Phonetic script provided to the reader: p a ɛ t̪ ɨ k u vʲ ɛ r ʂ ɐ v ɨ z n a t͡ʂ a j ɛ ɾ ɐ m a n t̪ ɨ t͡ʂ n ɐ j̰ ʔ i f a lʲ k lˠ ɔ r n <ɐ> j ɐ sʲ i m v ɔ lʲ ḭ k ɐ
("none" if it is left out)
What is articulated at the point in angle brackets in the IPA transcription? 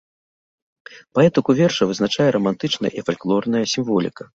ɐ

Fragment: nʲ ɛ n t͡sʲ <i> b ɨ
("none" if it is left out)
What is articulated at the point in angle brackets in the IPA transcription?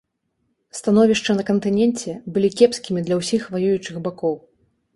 ɛ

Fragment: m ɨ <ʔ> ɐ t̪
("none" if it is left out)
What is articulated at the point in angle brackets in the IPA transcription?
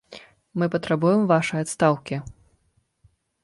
p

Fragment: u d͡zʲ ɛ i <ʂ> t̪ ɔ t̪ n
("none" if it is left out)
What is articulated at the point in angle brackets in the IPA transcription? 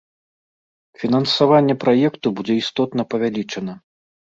s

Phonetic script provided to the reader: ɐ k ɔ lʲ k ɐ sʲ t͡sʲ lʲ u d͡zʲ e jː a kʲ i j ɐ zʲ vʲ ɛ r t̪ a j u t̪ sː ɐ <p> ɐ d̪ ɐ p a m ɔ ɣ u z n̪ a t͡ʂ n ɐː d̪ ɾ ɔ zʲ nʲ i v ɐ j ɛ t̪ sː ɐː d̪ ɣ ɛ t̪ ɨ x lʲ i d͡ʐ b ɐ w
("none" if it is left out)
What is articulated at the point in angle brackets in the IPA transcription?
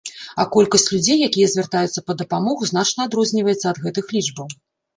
p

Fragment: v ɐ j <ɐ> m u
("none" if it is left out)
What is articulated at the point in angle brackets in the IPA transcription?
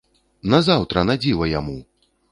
a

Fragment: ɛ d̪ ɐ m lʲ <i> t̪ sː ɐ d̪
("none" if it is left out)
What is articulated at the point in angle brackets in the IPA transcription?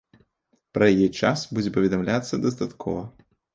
a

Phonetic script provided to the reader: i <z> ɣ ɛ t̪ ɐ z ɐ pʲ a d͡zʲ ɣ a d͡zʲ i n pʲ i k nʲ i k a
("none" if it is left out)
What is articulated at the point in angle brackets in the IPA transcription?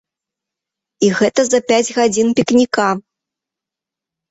none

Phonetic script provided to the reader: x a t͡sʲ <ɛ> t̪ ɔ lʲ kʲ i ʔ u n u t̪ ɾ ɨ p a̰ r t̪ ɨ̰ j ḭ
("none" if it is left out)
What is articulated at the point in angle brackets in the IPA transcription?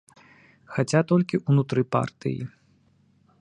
a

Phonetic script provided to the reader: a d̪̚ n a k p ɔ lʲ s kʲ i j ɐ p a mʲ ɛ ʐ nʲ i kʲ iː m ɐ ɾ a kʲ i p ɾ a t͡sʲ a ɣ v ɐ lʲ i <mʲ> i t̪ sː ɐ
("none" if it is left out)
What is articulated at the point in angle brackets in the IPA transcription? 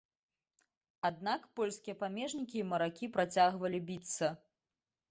bʲ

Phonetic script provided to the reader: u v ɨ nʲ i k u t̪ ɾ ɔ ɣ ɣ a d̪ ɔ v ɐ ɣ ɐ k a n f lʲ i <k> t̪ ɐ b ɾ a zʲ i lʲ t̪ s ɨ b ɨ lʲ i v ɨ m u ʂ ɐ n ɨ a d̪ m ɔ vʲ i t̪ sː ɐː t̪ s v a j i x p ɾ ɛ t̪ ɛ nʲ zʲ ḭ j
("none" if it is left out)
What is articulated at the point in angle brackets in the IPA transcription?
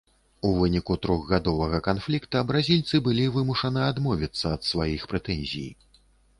k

